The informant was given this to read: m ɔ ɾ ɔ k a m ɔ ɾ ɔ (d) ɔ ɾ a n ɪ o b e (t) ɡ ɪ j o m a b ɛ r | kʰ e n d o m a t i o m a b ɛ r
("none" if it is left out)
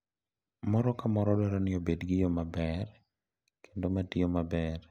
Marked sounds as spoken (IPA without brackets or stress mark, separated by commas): d, d